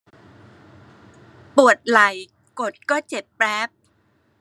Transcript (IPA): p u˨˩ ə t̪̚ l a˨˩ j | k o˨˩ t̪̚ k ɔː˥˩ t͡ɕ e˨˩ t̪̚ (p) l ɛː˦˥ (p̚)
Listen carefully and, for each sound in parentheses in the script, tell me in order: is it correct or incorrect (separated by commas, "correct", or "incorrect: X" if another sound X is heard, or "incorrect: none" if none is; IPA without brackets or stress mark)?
correct, correct